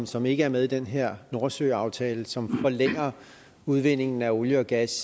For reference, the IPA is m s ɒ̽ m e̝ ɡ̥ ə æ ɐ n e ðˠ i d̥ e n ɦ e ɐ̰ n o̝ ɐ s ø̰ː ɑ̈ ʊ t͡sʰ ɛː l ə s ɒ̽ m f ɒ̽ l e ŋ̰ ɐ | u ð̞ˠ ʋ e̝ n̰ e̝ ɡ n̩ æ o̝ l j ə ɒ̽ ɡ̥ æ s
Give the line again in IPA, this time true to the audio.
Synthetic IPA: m s ɒ̽ m e̝ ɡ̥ ə æ ɐ m e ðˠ i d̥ e n ɦ e ɐ̰ n o̝ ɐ s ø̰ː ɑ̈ ʊ t͡sʰ ɛː l ə s ɒ̽ m f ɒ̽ l e ŋ̰ ɐ | u ð̞ˠ ʋ e̝ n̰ e̝ ŋ n̩ æ o̝ l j ə ɒ̽ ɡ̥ æ s